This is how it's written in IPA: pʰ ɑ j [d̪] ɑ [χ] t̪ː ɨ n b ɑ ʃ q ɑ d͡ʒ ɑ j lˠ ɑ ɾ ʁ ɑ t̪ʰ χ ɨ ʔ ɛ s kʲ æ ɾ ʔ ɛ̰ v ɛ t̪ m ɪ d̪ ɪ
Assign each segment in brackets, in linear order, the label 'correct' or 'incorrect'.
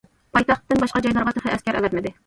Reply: incorrect, correct

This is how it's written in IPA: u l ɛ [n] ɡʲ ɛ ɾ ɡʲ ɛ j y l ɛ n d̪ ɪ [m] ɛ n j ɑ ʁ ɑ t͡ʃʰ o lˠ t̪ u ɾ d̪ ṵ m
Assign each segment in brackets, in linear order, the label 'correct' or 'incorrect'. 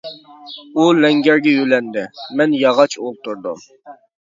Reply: incorrect, correct

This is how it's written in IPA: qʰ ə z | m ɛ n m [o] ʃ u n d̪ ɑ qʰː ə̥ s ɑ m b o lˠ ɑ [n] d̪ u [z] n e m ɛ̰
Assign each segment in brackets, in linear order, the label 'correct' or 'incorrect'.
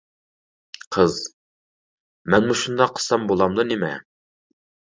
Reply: incorrect, incorrect, incorrect

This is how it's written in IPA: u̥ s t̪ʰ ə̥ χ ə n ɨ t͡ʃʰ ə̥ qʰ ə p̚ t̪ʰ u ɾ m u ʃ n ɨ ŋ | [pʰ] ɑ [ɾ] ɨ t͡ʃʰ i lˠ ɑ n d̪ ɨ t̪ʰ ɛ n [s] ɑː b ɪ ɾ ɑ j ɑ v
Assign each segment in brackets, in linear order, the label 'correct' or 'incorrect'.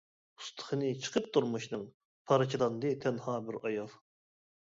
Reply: correct, correct, incorrect

